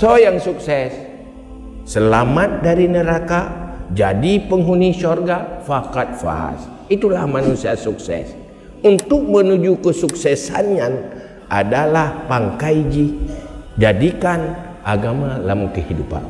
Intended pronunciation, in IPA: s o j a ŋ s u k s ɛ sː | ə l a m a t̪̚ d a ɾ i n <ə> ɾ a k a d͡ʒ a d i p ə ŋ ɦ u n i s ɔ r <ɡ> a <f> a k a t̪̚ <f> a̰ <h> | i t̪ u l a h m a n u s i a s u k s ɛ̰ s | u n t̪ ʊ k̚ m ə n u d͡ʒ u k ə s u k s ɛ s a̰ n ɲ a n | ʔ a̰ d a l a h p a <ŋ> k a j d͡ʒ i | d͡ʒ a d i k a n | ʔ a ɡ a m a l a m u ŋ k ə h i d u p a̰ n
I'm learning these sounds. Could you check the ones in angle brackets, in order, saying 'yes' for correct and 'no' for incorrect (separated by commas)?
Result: yes, yes, yes, yes, no, yes